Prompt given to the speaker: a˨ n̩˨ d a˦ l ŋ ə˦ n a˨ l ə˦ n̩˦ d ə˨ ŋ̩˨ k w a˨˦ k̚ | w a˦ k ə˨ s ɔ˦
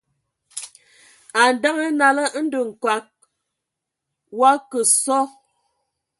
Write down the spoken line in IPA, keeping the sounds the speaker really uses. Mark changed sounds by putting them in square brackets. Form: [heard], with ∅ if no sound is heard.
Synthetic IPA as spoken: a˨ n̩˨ d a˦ [∅] ŋ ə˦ n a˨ l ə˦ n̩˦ d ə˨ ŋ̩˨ k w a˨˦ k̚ | w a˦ k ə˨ s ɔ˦